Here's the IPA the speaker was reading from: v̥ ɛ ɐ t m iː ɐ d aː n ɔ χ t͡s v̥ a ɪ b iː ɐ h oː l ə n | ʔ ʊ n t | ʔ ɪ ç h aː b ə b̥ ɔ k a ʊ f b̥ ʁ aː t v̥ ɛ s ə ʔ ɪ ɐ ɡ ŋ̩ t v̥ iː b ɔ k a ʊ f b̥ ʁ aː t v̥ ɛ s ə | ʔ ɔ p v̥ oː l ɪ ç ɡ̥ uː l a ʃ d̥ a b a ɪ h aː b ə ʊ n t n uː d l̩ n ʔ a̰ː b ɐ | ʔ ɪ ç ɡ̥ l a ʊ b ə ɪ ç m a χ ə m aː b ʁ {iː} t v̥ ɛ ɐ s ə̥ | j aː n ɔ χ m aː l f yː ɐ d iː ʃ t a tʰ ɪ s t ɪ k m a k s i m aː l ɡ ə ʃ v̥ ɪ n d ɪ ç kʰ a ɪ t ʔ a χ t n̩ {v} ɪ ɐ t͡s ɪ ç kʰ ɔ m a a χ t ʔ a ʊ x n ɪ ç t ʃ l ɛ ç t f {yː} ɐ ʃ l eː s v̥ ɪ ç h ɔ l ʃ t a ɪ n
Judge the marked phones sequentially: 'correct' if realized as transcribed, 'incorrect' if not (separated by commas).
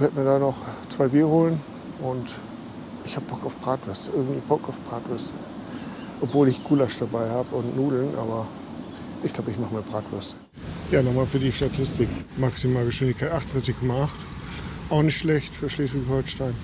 incorrect, incorrect, correct